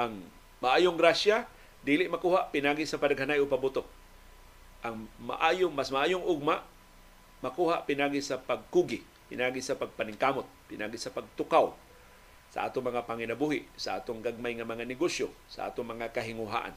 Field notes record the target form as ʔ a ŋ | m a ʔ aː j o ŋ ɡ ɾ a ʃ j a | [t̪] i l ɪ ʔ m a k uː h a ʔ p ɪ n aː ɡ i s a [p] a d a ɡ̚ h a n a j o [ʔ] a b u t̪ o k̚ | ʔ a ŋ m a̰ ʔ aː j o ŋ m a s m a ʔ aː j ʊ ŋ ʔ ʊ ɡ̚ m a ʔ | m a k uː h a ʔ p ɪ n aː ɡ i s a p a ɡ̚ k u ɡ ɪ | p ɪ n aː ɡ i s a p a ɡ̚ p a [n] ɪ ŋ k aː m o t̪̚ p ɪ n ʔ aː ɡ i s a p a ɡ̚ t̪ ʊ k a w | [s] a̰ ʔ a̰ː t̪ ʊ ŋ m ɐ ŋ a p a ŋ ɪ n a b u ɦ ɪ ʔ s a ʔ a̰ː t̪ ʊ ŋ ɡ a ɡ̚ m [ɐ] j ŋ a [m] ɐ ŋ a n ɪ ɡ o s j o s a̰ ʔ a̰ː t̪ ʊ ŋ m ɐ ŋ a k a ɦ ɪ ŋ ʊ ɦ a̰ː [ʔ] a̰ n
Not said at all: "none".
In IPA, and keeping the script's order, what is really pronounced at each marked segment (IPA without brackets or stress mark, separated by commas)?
d̪, p, p, n, s, a, m, ʔ